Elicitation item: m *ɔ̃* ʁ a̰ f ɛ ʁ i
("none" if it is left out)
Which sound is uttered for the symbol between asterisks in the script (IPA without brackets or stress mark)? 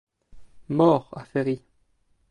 ɔ